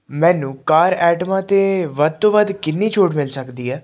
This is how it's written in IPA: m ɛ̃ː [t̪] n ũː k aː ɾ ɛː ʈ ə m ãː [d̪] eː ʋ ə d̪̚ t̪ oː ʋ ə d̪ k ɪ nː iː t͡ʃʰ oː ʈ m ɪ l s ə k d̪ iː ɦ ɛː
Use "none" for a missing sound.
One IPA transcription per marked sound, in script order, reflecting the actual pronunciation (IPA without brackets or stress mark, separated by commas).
none, t̪